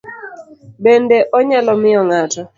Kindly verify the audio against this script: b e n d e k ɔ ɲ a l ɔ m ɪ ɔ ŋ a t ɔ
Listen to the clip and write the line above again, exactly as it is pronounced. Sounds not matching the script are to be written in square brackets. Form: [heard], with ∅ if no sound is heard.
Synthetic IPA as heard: b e n d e [ʔ] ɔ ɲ a l ɔ m ɪ ɔ ŋ a t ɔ